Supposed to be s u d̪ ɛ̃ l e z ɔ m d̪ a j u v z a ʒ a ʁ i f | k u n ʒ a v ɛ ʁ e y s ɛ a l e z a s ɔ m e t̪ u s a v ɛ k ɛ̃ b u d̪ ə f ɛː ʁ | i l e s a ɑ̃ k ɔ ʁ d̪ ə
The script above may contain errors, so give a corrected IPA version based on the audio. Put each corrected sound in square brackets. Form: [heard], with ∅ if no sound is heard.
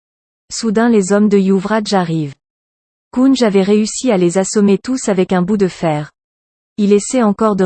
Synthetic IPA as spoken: s u d̪ ɛ̃ l e z ɔ m d̪ [ə] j u v [ʁ] a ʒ a ʁ i [v] | k u n ʒ a v ɛ ʁ e y s [i] a l e z a s ɔ m e t̪ u s a v ɛ k ɛ̃ b u d̪ ə f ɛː ʁ | i l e s [ɛ] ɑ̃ k ɔ ʁ d̪ ə